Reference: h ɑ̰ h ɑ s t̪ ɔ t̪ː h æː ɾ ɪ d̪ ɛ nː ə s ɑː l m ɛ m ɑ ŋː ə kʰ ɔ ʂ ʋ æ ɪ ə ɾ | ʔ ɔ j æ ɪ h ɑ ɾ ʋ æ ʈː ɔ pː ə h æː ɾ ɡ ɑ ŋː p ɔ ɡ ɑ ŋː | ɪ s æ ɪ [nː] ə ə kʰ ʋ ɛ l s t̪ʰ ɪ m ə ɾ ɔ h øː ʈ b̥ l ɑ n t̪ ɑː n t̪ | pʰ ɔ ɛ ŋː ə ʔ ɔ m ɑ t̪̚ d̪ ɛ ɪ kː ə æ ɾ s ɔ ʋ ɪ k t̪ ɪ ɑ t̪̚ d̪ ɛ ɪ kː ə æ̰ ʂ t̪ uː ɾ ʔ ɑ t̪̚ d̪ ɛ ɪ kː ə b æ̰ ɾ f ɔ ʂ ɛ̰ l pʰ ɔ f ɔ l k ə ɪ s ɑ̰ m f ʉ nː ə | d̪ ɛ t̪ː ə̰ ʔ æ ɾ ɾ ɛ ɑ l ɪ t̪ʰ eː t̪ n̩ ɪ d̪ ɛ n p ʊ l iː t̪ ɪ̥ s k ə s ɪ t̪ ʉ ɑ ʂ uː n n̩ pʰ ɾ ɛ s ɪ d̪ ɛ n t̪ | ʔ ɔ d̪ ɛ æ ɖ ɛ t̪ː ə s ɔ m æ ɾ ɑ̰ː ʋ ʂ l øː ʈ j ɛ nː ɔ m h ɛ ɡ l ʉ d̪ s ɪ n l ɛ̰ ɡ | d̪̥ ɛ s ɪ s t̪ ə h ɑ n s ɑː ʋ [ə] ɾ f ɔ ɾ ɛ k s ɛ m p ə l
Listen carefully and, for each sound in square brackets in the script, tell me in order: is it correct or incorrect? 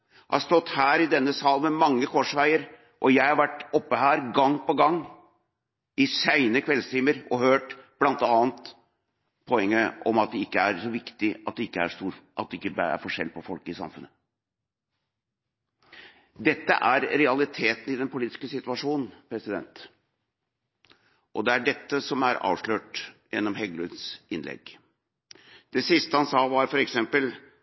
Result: incorrect, incorrect

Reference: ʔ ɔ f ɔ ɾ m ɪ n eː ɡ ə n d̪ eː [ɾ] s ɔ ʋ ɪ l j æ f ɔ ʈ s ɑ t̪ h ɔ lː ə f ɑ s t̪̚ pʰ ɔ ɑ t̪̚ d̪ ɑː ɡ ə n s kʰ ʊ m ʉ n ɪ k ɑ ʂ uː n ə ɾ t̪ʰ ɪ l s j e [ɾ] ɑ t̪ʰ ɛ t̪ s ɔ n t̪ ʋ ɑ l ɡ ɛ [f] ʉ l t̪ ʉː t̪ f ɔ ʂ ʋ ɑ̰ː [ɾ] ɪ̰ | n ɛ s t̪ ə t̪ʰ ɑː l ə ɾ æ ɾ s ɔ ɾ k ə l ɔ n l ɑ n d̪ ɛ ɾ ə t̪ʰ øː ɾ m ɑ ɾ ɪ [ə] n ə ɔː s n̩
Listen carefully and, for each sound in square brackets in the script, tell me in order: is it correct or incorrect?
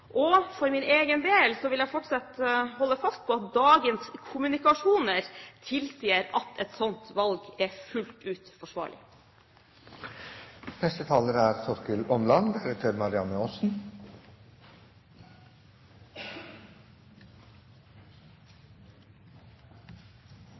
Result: incorrect, correct, correct, incorrect, incorrect

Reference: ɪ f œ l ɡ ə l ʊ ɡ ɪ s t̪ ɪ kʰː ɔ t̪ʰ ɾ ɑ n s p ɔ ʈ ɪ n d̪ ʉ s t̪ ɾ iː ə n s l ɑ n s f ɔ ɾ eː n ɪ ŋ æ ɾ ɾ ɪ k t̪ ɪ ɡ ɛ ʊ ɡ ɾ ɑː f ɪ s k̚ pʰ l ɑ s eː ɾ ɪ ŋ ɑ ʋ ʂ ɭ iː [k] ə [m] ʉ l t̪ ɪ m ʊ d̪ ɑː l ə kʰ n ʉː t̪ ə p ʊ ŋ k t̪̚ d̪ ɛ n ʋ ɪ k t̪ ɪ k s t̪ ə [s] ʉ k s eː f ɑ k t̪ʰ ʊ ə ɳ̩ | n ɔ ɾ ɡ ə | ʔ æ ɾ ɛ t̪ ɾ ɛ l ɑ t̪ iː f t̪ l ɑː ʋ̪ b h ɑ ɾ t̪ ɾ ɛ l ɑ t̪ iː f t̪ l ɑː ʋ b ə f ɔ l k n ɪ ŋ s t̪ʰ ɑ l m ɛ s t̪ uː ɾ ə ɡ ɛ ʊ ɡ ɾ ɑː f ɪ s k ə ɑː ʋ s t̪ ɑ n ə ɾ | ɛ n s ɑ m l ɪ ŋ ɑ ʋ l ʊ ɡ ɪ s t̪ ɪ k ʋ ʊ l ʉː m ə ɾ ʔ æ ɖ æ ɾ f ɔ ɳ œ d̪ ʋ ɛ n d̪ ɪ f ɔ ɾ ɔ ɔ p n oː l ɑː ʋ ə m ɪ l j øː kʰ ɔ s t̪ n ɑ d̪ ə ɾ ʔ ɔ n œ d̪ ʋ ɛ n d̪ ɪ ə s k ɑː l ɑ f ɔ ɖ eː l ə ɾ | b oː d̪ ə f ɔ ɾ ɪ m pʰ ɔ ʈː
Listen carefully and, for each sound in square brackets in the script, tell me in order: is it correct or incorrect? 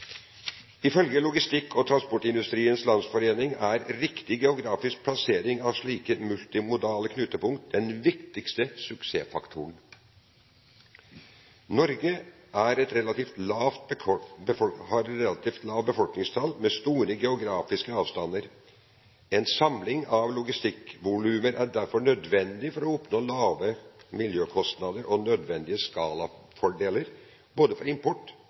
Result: correct, correct, correct

